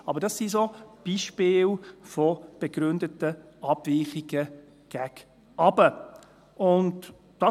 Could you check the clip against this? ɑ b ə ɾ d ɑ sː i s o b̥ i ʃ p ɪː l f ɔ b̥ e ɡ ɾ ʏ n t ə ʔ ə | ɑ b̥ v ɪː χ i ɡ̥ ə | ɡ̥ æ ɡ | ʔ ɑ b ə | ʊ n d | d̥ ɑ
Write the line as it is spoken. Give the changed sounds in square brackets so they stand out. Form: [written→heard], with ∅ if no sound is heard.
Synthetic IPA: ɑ b ə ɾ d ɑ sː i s o b̥ i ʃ p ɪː l f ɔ b̥ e ɡ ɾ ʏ n [t→d] ə [ʔ→t] ə | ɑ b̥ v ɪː χ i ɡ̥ ə | ɡ̥ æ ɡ | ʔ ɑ b ə | ʊ n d | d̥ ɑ